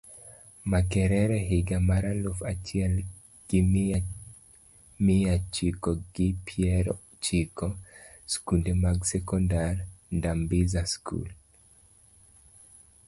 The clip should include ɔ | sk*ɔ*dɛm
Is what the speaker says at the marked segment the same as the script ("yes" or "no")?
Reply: no